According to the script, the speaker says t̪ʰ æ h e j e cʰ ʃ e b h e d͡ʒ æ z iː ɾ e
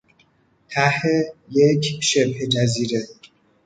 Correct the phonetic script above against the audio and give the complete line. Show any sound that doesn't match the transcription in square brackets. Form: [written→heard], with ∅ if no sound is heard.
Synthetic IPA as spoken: t̪ʰ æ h e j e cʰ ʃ e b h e d͡ʒ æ z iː ɾ e

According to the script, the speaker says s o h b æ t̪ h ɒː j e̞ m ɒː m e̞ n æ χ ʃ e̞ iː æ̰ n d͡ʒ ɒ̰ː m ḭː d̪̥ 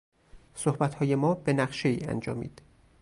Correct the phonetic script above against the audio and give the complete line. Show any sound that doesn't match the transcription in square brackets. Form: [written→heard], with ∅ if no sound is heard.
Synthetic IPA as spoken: s o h b æ t̪ h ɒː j e̞ m ɒː [m→b] e̞ n æ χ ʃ e̞ iː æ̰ n d͡ʒ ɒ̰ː m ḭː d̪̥

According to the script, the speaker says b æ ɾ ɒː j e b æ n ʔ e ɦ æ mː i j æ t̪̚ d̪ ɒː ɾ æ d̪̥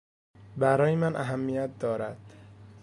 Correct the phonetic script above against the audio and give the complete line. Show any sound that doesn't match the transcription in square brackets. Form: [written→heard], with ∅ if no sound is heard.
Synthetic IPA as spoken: b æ ɾ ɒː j e [b→m] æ n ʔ [e→æ] ɦ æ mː i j æ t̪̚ d̪ ɒː ɾ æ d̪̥

